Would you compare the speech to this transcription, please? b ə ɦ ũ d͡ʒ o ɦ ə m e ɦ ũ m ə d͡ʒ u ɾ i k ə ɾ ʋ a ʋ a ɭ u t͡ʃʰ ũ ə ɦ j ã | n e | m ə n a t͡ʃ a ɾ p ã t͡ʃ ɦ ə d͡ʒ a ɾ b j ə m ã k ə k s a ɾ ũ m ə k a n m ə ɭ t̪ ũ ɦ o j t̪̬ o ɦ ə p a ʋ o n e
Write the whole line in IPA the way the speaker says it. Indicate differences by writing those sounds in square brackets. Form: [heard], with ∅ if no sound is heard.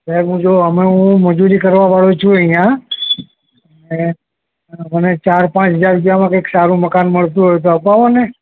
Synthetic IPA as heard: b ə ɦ ũ d͡ʒ o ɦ ə m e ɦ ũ m ə d͡ʒ u ɾ i k ə ɾ ʋ a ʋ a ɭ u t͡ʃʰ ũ ə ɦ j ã | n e | m ə n [e] t͡ʃ a ɾ p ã t͡ʃ ɦ ə d͡ʒ a ɾ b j [a] m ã k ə k s a ɾ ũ m ə k a n m ə ɭ t̪ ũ ɦ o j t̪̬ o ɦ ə p a ʋ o n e